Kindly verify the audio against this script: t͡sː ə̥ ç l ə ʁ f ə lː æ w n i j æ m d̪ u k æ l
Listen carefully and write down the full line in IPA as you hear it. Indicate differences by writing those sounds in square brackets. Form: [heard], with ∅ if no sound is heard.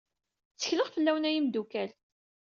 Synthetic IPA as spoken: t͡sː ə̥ ç l ə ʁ f ə lː æ w n [æ] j [i] m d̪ u k æ l